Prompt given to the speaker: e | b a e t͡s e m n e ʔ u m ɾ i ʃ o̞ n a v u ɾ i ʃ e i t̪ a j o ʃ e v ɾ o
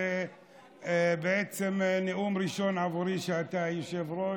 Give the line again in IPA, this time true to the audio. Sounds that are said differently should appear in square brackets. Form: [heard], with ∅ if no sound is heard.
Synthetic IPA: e | b [e] e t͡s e m n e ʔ u m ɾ i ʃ o̞ n a v u ɾ i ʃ e [a] t̪ a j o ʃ e v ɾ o